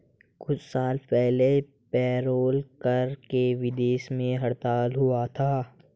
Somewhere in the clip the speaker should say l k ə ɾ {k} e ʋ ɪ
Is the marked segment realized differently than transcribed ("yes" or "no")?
no